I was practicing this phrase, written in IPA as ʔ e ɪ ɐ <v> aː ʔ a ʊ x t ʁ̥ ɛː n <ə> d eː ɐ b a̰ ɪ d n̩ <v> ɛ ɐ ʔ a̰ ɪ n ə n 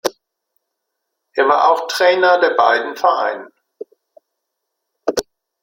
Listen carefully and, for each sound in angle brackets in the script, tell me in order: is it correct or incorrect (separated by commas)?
correct, incorrect, incorrect